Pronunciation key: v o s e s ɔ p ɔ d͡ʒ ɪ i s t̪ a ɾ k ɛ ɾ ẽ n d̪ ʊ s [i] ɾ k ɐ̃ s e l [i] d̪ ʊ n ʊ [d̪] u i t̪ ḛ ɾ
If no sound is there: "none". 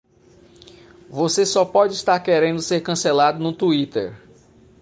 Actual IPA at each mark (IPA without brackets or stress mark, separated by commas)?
e, a, t̪